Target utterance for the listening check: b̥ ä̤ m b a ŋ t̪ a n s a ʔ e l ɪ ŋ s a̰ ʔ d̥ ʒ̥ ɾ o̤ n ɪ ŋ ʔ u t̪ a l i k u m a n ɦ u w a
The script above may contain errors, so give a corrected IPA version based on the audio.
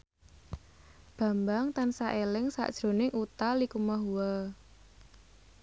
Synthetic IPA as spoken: b̥ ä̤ m b a ŋ t̪ a n s a ʔ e l ɪ ŋ s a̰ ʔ d̥ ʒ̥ ɾ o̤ n ɪ ŋ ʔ u t̪ a l i k u m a ɦ u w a